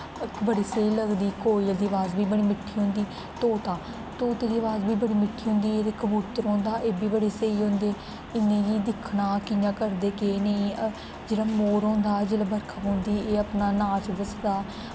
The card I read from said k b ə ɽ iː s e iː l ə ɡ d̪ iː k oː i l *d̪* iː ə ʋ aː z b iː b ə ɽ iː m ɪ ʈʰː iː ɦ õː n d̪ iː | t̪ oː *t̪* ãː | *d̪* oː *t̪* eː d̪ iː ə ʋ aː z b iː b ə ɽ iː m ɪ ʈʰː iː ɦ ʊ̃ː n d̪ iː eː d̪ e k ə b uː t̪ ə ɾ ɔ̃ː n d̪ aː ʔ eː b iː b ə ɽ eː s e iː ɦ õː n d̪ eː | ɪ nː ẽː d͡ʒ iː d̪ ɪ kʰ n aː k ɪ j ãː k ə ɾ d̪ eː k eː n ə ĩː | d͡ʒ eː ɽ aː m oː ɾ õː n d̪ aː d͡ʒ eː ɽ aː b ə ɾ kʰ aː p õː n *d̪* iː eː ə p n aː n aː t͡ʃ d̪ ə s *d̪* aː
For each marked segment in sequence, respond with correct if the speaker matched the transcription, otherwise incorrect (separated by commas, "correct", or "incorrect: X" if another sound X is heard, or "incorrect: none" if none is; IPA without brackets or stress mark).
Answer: correct, correct, incorrect: t̪, correct, correct, correct